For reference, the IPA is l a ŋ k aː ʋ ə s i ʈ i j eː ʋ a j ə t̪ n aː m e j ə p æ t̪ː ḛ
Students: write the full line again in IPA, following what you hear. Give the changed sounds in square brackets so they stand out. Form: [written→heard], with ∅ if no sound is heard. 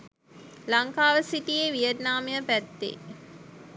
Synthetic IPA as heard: l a ŋ k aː ʋ ə s i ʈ i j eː ʋ [a→i] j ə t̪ n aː m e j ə p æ t̪ː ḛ